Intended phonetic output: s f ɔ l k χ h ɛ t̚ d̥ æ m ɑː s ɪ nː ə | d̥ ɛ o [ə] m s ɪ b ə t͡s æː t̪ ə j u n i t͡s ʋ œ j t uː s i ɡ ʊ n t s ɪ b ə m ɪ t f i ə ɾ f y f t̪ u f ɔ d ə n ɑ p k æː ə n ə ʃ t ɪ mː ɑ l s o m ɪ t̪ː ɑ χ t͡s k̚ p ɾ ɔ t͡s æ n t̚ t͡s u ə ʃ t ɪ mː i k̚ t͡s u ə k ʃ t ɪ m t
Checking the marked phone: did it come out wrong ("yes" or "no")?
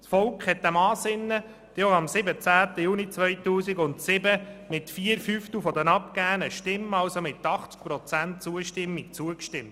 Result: yes